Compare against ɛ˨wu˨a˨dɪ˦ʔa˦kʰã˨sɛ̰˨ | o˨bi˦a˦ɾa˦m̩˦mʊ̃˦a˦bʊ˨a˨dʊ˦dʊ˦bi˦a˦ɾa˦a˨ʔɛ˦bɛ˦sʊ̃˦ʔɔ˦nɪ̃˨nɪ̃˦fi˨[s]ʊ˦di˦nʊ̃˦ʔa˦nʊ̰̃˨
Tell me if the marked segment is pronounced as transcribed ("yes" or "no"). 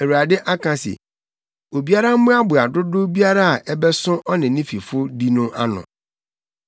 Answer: no